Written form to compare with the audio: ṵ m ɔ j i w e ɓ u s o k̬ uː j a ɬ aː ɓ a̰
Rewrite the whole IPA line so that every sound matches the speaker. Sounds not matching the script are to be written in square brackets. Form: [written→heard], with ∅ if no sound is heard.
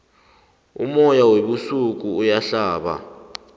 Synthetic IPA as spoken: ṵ m ɔ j [i→a] w e ɓ u s [o→u] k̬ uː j a ɬ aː ɓ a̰